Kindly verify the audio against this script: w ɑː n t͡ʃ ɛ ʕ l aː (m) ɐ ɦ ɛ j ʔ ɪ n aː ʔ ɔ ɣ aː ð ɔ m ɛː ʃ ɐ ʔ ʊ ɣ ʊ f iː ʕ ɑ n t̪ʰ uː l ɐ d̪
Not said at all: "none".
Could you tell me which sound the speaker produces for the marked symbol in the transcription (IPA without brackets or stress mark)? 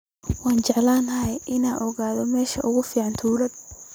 n